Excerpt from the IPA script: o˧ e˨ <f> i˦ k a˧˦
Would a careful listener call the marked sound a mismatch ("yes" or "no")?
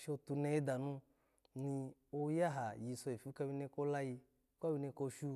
no